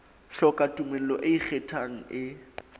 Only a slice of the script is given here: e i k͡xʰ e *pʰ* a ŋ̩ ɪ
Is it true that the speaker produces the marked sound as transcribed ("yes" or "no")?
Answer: no